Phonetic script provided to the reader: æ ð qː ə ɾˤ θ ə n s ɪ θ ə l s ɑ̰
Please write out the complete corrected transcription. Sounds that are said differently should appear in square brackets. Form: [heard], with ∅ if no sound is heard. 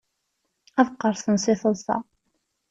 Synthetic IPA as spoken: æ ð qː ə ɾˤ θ ə n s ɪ θ ə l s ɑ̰

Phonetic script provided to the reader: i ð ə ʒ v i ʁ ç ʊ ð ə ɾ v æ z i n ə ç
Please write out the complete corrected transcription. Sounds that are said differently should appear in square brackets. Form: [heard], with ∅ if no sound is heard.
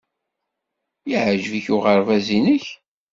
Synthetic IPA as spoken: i [ʕ] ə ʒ v i [∅] ç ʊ [ʁ] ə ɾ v æ z i n ə ç

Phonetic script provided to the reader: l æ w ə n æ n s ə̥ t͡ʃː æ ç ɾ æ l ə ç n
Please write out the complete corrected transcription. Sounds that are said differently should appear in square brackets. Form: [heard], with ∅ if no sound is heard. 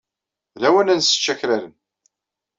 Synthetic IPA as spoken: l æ w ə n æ n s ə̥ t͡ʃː æ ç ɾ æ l ə [∅] n

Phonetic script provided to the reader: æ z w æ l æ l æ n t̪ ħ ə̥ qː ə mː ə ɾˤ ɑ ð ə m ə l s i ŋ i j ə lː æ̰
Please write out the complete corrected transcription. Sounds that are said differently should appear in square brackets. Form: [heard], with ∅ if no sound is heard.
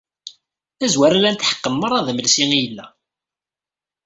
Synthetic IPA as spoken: æ z w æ [ɾ] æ l æ n t̪ ħ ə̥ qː ə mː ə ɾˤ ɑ ð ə m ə l s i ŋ i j ə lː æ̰

